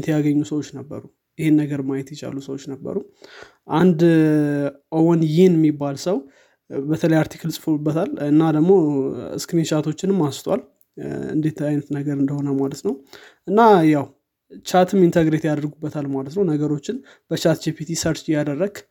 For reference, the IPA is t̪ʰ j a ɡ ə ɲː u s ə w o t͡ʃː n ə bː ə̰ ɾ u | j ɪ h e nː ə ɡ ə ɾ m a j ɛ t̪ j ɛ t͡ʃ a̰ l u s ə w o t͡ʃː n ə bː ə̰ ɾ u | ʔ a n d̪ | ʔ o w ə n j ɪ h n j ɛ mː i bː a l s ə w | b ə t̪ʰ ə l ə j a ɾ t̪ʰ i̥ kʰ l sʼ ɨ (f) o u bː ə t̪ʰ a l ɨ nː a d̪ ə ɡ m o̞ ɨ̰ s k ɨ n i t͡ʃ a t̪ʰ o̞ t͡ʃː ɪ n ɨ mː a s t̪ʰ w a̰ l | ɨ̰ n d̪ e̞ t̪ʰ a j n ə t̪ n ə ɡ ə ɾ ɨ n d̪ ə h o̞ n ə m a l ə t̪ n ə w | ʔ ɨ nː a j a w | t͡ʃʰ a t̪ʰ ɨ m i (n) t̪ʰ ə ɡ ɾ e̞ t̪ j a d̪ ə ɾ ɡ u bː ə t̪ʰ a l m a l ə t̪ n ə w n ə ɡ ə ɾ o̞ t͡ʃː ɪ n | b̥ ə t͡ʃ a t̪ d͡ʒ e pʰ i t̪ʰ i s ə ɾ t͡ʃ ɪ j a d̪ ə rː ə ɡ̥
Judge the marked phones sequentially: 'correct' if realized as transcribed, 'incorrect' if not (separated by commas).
correct, correct